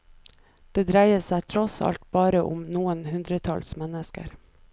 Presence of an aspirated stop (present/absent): present